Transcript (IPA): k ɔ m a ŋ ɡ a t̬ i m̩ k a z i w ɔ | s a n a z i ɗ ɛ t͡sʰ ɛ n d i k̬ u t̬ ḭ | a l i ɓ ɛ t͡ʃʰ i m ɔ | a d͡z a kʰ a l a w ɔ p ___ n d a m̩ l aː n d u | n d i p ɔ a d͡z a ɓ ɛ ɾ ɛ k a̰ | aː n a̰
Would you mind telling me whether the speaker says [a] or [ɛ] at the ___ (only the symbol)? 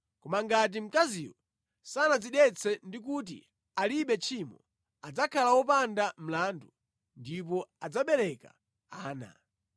a